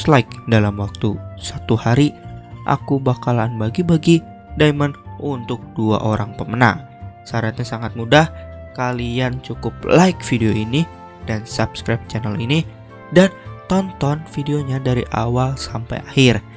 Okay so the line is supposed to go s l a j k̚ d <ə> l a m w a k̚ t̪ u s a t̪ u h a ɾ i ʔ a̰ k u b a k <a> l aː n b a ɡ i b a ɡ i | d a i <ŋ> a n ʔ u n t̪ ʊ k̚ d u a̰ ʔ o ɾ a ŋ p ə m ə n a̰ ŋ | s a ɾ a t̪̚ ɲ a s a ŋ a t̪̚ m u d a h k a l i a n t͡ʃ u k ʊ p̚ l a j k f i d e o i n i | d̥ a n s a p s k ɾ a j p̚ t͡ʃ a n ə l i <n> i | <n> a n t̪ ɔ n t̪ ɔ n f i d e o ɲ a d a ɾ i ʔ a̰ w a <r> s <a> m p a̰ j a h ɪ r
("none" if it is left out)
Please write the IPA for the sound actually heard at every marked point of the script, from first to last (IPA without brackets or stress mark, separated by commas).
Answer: a, a, m, n, d, l, a